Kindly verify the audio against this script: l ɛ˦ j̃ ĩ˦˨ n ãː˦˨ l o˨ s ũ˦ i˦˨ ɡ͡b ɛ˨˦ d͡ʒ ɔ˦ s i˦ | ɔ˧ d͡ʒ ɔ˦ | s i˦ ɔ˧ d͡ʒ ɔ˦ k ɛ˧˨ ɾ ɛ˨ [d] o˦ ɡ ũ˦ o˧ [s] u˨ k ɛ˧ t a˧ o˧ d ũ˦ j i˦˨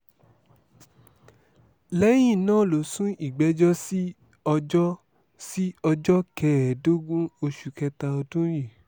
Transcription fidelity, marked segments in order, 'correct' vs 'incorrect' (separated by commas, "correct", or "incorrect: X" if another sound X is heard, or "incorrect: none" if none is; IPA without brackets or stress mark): correct, incorrect: ʃ